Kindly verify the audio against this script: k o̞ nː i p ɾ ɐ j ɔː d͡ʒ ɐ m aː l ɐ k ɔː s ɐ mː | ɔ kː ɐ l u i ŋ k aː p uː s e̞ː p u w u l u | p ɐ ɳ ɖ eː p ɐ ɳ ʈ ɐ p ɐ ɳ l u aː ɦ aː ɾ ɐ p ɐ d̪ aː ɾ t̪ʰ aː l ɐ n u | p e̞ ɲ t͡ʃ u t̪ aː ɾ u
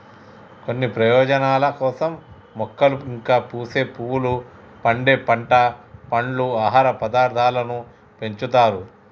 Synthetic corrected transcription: k o̞ nː i p ɾ ɐ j ɔː d͡ʒ ɐ n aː l ɐ k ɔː s ɐ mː | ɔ kː ɐ l u i ŋ k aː p uː s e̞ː p u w u l u | p ɐ ɳ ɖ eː p ɐ ɳ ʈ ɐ p ɐ ɳ l u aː ɦ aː ɾ ɐ p ɐ d̪ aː ɾ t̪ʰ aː l ɐ n u | p e̞ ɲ t͡ʃ u t̪ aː ɾ u